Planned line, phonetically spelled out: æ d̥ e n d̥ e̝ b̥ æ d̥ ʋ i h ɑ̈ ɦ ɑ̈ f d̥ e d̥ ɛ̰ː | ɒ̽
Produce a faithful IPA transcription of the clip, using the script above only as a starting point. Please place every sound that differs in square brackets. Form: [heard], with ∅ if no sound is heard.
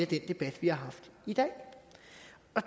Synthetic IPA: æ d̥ e n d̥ e̝ b̥ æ d̥ ʋ i h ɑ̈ ɦ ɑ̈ f d̥ [i] d̥ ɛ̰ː | ɒ̽